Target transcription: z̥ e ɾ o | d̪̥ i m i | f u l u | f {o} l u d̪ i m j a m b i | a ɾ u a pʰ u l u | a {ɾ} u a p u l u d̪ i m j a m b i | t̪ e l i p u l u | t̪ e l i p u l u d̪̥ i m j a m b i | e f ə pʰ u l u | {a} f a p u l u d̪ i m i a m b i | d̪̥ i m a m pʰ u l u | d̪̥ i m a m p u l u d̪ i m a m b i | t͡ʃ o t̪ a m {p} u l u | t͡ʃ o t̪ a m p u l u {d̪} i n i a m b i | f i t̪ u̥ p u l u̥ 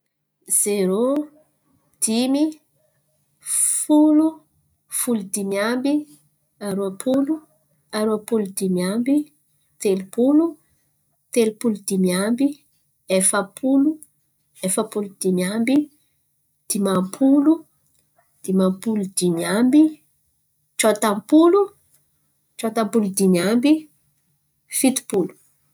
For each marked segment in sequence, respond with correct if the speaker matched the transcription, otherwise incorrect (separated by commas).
incorrect, correct, incorrect, correct, correct